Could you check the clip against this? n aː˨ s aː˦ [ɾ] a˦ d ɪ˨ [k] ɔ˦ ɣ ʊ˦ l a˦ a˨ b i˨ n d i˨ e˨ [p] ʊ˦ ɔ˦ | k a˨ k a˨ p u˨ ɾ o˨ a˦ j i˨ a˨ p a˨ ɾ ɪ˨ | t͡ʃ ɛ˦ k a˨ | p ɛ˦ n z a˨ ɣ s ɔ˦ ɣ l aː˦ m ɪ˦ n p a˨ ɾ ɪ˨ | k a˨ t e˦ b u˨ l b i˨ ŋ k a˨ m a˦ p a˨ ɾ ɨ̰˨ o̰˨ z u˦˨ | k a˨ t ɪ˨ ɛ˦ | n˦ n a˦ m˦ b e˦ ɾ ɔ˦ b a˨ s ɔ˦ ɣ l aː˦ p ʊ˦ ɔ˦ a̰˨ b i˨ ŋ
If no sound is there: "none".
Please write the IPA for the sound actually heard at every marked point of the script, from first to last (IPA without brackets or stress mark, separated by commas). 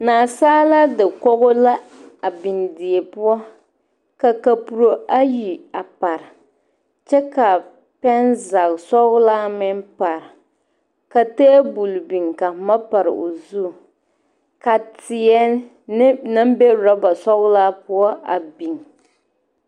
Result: l, k, p